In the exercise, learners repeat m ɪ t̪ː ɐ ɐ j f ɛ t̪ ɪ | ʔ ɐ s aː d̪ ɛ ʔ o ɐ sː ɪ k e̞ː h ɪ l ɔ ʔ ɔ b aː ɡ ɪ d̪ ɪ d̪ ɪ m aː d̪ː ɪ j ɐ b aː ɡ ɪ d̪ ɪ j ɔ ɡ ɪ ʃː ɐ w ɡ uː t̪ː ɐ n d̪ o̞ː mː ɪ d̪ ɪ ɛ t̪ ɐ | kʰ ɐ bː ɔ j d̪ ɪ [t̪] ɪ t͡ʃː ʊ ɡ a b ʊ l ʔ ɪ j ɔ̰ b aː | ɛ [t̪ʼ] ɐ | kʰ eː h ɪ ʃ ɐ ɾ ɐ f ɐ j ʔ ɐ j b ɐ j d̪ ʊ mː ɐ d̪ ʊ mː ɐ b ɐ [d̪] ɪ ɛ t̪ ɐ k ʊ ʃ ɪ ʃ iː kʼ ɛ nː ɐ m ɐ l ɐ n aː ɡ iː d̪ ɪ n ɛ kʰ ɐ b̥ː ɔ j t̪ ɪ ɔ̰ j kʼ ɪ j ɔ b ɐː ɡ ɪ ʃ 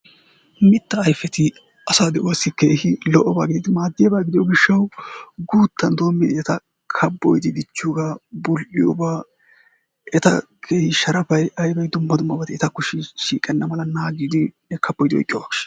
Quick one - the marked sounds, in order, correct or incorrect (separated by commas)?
incorrect, incorrect, incorrect